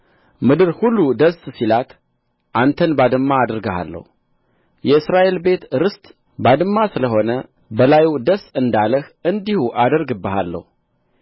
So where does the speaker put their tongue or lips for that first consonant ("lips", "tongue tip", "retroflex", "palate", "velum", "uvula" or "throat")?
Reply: lips